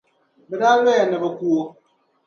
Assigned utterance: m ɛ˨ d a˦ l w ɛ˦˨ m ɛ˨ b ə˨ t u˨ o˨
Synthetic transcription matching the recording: b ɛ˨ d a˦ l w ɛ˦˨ n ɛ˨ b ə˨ k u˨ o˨